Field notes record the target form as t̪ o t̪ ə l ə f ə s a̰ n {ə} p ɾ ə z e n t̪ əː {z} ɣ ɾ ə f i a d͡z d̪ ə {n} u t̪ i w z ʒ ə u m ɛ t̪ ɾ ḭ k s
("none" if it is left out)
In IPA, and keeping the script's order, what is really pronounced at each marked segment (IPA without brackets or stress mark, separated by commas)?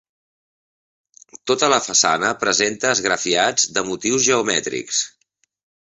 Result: ə, z, m